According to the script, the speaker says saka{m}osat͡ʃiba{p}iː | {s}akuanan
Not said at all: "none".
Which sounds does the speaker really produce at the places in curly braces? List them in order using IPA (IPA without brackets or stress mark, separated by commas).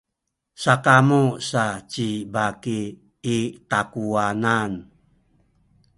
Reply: m, k, t